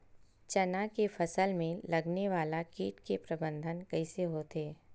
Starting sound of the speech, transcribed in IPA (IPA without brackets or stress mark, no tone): t͡ʃ